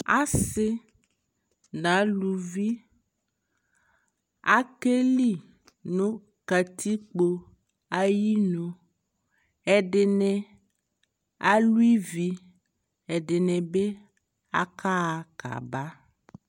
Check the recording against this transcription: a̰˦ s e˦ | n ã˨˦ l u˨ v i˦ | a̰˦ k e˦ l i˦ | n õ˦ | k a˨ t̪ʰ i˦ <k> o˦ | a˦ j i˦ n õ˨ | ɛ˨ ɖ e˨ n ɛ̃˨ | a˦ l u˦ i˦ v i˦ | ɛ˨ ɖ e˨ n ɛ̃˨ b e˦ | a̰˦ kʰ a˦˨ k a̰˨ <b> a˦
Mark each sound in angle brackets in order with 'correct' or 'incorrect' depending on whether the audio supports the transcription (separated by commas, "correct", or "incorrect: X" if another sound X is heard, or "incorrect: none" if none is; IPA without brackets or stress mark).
incorrect: k͡p, correct